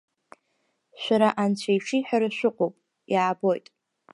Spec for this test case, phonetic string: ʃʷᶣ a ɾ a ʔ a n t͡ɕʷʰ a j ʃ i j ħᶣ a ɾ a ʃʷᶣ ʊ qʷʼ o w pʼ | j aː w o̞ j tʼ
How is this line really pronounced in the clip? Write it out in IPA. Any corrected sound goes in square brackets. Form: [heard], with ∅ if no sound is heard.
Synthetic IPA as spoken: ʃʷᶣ a ɾ a ʔ a n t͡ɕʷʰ a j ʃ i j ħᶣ a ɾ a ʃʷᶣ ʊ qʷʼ o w pʼ | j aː [b] o̞ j tʼ